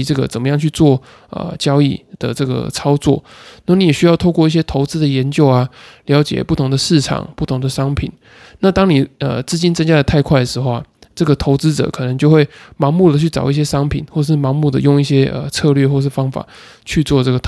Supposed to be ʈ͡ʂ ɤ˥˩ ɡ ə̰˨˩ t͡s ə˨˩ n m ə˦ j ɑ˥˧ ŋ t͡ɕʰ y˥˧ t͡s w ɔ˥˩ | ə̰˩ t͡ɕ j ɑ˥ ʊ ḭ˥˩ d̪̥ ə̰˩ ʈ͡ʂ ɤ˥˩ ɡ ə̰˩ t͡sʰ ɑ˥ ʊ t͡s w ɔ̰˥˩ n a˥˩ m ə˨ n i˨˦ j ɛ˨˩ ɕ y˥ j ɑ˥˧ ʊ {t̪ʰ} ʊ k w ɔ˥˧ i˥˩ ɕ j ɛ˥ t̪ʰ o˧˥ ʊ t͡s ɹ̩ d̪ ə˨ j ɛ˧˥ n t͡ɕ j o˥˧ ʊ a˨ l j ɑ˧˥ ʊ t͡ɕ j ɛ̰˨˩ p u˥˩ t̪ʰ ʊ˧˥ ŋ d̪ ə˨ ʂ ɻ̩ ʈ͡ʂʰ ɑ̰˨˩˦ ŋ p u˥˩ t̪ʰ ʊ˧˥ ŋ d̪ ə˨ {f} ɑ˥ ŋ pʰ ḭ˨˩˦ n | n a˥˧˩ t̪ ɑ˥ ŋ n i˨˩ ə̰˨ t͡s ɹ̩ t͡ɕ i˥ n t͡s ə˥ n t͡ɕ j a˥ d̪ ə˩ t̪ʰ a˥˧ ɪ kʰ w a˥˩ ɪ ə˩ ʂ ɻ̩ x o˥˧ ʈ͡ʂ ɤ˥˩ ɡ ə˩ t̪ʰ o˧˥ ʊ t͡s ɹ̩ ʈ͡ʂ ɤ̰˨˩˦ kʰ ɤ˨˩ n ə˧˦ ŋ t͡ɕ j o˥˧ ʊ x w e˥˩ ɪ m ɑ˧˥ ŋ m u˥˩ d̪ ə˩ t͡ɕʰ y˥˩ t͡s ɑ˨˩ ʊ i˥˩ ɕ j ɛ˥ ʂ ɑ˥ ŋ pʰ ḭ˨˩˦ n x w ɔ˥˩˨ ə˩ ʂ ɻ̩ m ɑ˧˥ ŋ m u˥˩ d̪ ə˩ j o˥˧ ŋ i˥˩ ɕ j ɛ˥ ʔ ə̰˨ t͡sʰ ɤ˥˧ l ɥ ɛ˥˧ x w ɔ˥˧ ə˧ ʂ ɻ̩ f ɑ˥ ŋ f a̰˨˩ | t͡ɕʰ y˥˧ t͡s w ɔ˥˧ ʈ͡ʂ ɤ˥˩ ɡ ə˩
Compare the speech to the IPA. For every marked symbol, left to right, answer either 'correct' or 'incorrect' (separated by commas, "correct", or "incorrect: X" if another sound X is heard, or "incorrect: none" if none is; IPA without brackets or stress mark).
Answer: correct, incorrect: ʂ